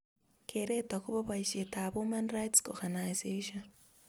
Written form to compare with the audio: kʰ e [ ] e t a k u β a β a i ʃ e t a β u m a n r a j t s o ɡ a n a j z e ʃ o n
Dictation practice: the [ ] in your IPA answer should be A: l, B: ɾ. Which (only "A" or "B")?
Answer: B